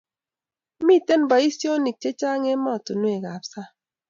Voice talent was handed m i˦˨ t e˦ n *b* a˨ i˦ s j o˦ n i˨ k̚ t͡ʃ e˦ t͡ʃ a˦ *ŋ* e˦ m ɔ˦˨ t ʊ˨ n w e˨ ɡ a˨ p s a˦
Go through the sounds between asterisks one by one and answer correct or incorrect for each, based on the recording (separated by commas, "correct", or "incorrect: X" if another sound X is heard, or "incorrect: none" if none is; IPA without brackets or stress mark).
correct, correct